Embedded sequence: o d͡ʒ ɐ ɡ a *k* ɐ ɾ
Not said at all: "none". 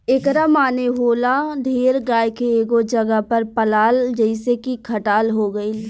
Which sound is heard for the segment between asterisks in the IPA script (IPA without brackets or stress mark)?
p